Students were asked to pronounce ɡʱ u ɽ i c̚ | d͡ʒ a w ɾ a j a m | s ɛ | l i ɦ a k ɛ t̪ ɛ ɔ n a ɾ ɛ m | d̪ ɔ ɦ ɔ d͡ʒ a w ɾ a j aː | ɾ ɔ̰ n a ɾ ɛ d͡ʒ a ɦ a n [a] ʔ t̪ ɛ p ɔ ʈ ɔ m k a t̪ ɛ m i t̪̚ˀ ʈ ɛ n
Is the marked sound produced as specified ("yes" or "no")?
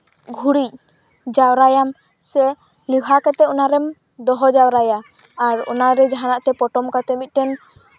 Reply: yes